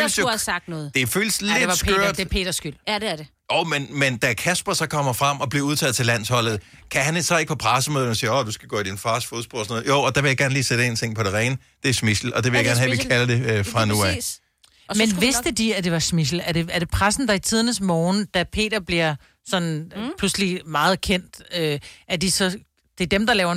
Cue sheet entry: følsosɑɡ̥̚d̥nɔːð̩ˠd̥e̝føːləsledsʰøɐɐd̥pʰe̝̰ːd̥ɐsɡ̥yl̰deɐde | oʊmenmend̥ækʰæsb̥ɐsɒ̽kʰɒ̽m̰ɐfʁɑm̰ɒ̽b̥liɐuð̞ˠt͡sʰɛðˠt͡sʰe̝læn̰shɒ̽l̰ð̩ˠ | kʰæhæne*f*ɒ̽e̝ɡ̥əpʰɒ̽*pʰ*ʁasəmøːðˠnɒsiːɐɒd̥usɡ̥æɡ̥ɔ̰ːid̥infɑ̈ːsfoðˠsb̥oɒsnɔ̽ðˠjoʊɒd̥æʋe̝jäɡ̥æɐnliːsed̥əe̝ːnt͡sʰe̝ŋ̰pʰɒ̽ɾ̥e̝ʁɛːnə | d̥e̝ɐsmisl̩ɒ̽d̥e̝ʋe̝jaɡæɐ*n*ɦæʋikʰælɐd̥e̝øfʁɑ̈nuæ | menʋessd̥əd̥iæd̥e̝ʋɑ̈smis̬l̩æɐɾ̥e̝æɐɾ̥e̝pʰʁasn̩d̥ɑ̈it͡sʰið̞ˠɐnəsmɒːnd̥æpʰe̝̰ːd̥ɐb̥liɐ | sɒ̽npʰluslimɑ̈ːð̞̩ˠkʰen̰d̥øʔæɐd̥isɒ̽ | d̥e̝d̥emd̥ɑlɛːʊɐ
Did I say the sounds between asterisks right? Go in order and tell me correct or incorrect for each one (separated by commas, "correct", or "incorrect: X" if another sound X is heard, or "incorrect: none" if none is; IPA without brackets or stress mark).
incorrect: s, correct, correct